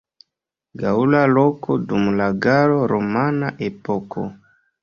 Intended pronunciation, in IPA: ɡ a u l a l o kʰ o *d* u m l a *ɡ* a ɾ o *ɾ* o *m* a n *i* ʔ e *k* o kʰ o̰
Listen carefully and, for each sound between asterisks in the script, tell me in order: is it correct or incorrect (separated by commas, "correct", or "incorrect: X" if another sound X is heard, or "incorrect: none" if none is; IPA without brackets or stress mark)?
correct, correct, correct, correct, incorrect: a, incorrect: p